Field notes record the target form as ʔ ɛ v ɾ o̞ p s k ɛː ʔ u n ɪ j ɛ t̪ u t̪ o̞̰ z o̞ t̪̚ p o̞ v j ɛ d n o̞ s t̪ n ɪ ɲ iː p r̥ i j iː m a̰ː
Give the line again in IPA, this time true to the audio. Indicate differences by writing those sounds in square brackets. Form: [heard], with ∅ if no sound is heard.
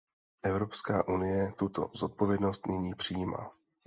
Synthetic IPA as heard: ʔ ɛ v ɾ o̞ p s k [aː] ʔ u n ɪ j ɛ t̪ u t̪ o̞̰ z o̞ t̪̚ p o̞ v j ɛ d n o̞ s t̪ n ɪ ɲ iː p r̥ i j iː m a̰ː